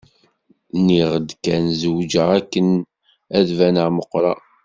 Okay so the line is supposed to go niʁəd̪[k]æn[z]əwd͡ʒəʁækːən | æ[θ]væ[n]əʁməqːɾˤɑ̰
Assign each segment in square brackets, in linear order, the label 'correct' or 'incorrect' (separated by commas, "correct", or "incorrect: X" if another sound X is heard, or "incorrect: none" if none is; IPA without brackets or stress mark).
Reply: correct, correct, incorrect: ð, correct